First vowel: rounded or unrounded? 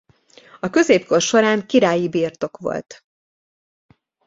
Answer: rounded